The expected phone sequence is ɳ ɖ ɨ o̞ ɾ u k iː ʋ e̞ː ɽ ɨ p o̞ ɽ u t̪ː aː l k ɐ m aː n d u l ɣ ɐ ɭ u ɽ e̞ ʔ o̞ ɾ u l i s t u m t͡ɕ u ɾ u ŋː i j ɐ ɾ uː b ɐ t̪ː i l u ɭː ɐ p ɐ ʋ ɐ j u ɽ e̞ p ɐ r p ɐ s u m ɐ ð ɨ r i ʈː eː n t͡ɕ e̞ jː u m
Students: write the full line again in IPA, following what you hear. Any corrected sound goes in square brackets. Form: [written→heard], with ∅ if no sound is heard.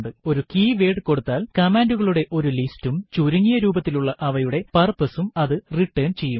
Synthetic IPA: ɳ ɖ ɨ o̞ ɾ u k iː ʋ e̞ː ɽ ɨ [p→k] o̞ ɽ u t̪ː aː l k ɐ m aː n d u [l→∅] ɣ ɐ ɭ u ɽ e̞ ʔ o̞ ɾ u l i s t u m t͡ɕ u ɾ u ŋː i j ɐ ɾ uː b ɐ t̪ː i l u ɭː ɐ [p→ʔ] ɐ ʋ ɐ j u ɽ e̞ p ɐ r p ɐ s u m ɐ ð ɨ r i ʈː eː n t͡ɕ e̞ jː u m